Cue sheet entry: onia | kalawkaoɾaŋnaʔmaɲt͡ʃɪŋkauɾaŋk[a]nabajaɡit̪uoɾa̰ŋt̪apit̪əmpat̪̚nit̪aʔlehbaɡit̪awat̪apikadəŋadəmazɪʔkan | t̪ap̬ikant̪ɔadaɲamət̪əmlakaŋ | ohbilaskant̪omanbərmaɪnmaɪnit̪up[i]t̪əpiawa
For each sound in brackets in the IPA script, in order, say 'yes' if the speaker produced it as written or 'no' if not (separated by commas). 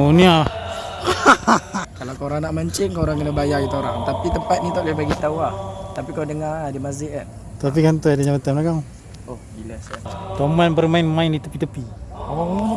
no, yes